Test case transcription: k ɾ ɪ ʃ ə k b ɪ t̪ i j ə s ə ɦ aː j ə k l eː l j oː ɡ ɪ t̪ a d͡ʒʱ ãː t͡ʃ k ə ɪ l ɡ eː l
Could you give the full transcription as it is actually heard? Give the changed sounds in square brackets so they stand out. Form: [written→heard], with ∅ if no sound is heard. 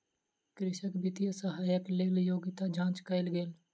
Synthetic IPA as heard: k ɾ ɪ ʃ ə k b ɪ t̪ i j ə s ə ɦ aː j ə k l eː l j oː ɡ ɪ t̪ a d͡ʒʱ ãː t͡ʃ k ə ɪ l ɡ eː l